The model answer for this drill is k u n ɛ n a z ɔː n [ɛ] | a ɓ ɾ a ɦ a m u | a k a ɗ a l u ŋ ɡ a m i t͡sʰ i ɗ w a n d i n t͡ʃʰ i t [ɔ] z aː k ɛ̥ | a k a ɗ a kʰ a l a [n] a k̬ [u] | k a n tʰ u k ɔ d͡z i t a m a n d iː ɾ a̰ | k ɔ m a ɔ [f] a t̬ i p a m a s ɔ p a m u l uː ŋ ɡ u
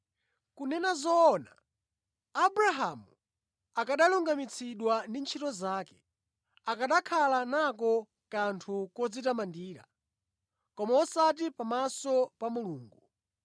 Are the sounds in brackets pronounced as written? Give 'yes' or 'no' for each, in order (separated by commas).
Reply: no, yes, yes, no, no